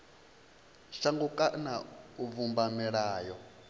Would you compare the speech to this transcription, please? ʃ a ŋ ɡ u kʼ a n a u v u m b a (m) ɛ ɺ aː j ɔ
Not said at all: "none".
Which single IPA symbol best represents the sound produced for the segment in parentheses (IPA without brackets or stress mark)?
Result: m